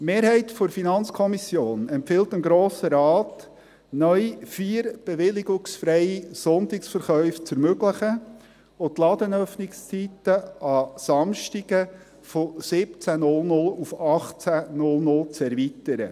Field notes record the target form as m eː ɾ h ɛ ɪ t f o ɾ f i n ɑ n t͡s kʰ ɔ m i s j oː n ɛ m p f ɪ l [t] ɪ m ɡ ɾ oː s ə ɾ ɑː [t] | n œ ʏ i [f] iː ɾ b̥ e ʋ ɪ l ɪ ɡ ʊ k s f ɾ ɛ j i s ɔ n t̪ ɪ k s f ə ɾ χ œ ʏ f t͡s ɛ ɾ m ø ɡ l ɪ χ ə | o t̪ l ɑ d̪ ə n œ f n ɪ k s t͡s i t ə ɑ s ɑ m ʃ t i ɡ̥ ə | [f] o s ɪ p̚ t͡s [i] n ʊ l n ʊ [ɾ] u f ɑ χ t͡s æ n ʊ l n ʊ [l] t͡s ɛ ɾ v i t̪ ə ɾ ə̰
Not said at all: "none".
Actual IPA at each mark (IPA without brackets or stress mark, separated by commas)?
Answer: t, t, f, f, æ, l, l